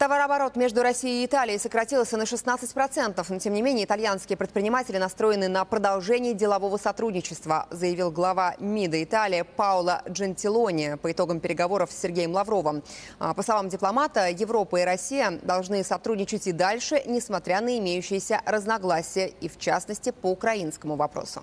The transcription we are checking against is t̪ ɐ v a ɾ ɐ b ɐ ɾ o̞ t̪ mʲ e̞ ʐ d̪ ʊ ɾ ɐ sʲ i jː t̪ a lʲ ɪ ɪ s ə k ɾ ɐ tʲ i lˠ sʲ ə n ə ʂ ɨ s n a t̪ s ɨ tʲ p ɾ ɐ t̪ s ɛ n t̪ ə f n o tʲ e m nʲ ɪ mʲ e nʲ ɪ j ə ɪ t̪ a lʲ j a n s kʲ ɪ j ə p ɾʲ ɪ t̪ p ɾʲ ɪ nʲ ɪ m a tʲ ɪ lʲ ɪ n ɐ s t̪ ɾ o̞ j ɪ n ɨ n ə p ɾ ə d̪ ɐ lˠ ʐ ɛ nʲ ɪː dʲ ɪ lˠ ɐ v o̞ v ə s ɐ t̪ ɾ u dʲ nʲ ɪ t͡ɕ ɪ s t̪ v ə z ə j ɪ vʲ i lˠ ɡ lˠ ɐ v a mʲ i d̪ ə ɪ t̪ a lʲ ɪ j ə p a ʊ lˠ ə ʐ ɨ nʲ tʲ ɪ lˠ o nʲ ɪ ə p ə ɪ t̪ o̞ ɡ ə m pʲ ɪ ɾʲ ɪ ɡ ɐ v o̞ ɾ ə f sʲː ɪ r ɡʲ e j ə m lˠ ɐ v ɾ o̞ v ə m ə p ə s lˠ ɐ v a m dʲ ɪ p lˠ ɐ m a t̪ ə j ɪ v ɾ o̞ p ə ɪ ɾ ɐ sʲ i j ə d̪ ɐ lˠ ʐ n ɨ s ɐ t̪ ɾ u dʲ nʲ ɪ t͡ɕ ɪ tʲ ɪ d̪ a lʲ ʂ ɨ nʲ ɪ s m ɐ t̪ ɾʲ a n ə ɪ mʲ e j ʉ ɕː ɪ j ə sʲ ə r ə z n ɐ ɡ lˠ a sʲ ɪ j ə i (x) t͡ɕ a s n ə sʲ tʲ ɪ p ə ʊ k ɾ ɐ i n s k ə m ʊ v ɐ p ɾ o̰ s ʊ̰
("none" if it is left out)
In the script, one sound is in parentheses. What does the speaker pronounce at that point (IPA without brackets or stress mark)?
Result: f